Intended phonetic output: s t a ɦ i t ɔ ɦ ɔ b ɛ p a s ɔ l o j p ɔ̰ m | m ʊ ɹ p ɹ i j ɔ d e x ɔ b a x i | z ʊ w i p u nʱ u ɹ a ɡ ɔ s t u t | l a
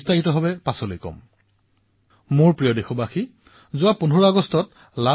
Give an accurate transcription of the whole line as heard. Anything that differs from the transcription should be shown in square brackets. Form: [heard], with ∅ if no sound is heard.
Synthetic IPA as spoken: s t a ɦ i t ɔ ɦ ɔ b ɛ p a s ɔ l o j [k] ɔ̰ m | m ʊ ɹ p ɹ i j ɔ d e x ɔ b a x i | z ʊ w [a] p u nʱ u ɹ a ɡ ɔ s t [ɔ] t | l a